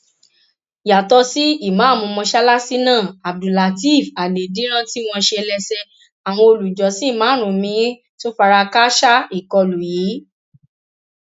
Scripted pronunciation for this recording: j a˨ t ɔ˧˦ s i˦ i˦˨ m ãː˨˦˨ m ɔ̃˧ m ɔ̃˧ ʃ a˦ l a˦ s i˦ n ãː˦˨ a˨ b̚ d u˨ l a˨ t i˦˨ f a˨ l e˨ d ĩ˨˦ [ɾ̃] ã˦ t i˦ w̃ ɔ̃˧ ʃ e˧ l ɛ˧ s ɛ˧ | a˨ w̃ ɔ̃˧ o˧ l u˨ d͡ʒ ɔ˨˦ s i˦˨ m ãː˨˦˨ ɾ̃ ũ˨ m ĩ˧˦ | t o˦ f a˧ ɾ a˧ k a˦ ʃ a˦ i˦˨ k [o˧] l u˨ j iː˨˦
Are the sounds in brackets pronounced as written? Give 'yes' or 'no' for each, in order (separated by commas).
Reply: yes, no